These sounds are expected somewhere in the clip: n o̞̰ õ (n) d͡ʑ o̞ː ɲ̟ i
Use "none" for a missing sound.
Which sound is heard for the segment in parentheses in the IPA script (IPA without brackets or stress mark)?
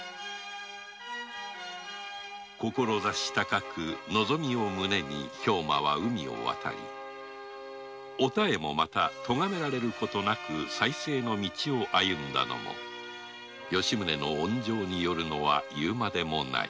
ɲ